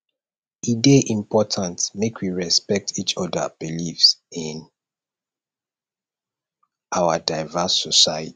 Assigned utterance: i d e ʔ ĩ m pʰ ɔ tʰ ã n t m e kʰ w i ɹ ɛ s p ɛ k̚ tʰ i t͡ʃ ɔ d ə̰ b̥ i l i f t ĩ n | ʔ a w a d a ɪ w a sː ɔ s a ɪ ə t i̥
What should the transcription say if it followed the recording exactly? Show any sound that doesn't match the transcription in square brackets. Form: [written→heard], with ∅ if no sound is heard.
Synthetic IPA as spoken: i d e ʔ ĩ m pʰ ɔ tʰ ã n t m e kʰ w i ɹ ɛ s p ɛ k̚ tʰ i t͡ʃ ɔ d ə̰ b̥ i l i f [t→s] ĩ n | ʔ a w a d a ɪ [w→v] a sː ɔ s a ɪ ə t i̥